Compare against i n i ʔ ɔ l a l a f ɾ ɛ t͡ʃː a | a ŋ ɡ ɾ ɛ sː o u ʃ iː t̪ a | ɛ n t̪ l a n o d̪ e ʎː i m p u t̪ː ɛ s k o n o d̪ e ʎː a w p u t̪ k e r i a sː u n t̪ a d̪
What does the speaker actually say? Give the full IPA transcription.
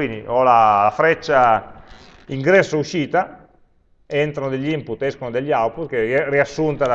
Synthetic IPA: i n i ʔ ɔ l a l a f ɾ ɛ t͡ʃː a | i ŋ ɡ ɾ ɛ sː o u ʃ iː t̪ a | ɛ n t̪ ɾ a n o d̪ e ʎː i m p u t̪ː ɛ s k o n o d̪ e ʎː a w p u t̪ k e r i a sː u n t̪ a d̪